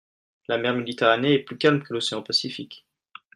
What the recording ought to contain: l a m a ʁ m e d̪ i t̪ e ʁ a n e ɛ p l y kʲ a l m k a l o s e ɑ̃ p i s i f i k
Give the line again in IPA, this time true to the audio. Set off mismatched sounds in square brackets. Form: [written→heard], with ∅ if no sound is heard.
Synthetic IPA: l a m [a→ɛ] ʁ m e d̪ i t̪ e ʁ a n e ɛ p l y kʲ a l m k [a→ə] l o s e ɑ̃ p [i→a] s i f i k